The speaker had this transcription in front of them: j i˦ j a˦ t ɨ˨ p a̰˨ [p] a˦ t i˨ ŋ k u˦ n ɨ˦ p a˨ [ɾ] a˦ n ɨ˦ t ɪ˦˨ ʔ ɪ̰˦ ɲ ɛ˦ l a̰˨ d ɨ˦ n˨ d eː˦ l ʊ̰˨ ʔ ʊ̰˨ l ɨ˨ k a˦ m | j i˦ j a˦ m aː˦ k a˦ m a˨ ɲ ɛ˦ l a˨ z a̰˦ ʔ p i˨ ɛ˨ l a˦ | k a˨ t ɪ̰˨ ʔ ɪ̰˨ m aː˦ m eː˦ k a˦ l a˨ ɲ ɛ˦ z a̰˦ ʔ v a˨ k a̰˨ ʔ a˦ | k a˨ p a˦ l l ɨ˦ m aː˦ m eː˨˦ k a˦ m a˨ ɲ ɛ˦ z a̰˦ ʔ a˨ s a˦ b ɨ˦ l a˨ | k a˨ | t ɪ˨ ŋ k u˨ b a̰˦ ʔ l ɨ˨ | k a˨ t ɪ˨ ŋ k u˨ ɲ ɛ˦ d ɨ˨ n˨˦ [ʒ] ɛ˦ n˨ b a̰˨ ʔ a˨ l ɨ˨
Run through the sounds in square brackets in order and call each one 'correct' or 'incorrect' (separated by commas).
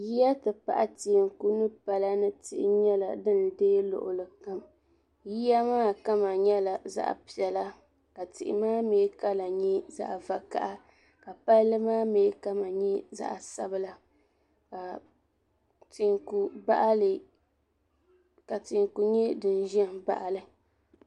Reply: incorrect, incorrect, correct